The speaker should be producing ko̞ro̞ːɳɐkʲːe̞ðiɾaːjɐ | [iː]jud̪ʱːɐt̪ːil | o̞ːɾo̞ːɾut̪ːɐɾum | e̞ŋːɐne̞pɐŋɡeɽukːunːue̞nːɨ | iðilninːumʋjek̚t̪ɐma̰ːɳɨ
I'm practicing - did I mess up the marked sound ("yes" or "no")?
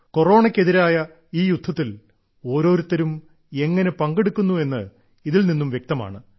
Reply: no